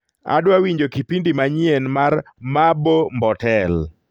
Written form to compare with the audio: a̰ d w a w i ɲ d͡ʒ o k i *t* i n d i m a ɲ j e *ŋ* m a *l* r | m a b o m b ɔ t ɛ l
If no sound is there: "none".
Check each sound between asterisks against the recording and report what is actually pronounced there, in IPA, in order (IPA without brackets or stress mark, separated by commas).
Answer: p, n, none